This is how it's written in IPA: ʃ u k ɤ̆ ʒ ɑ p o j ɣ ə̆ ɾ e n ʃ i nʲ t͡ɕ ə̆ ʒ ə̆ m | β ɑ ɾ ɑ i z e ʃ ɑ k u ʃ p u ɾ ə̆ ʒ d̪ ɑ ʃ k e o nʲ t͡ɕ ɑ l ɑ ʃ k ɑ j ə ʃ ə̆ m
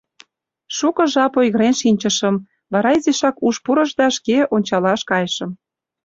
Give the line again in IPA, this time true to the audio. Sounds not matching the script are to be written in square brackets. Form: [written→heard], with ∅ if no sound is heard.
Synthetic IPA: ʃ u k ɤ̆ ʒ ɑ p o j ɣ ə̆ ɾ e n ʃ i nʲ t͡ɕ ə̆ [ʒ→ʃ] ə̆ m | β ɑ ɾ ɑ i z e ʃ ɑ k u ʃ p u ɾ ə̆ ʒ d̪ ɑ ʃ k e o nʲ t͡ɕ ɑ l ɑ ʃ k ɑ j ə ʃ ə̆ m